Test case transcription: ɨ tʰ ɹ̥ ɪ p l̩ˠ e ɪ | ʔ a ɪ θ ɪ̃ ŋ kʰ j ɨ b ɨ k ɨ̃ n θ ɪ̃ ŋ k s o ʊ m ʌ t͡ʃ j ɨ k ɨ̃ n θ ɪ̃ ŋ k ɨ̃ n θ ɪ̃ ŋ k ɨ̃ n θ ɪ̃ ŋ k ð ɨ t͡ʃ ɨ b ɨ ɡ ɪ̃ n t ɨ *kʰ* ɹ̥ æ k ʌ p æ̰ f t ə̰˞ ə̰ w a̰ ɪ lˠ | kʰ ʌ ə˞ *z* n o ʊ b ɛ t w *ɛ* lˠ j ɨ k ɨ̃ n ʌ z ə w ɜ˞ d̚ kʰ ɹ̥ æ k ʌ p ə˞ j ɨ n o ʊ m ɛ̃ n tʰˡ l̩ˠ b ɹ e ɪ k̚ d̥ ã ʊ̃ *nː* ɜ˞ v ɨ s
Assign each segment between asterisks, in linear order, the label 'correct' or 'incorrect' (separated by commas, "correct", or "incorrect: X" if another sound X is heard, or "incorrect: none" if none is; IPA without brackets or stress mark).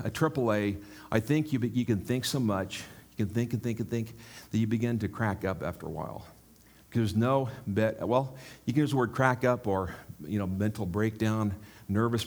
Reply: correct, correct, correct, correct